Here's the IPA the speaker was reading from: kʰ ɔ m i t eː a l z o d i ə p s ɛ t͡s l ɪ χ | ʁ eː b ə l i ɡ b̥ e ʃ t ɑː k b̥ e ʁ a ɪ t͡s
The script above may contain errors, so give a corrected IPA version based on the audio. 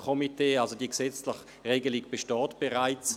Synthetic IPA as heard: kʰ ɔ m i t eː a l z o d i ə k s ɛ t͡s l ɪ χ | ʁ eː ɡ ə l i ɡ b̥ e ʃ t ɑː t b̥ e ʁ a ɪ t͡s